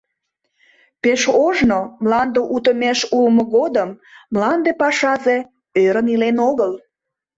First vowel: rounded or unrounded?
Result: unrounded